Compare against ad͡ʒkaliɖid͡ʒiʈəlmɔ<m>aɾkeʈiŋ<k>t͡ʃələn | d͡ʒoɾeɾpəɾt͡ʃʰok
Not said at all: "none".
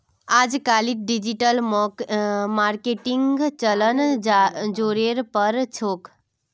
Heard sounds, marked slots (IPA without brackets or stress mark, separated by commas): m, ɡ